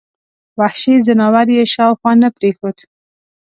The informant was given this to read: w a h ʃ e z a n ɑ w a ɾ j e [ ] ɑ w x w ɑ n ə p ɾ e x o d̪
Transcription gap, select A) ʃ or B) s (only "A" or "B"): A